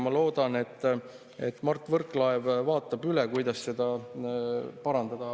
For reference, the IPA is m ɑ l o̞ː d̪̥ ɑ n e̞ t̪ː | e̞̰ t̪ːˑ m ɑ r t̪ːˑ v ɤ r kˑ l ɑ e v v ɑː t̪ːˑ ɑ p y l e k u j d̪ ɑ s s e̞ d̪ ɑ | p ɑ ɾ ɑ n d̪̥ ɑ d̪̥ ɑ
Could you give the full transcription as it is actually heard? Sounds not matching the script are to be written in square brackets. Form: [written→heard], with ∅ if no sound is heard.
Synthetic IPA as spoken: m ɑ l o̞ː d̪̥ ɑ n e̞ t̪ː | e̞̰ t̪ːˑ m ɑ r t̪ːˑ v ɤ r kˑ l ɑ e v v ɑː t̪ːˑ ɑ [p→b] y l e k u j d̪ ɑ s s e̞ d̪ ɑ | p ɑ ɾ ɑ n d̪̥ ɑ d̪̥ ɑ